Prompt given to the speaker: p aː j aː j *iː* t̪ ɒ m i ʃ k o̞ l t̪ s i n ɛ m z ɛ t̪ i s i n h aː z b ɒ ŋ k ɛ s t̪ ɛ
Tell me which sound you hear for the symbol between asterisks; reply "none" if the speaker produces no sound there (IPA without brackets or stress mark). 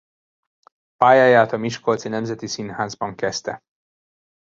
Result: aː